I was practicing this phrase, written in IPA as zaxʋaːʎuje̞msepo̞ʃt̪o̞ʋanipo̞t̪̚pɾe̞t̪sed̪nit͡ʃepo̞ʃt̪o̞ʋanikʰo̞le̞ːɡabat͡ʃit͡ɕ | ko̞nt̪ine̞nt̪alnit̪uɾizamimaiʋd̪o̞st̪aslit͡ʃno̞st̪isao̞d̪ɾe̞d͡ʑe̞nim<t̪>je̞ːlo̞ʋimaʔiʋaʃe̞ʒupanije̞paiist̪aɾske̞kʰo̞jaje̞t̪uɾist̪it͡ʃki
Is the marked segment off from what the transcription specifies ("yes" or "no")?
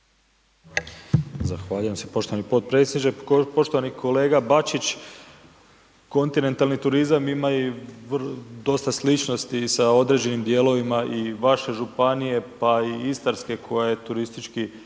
yes